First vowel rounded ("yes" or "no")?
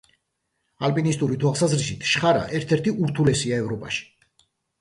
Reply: no